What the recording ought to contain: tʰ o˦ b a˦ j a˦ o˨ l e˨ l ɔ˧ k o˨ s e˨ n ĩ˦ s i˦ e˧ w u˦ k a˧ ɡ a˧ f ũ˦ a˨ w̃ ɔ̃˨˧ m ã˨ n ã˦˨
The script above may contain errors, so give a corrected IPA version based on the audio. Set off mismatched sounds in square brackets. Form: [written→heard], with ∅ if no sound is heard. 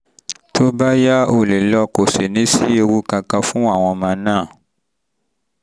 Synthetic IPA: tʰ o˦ b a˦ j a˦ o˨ l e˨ l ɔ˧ k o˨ s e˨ n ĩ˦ s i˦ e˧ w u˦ k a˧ [ɡ→k] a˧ f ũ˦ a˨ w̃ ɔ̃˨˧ m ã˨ n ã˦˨